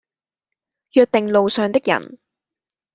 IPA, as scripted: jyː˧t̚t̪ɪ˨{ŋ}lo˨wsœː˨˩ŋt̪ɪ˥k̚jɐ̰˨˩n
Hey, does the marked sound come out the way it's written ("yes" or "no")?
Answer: yes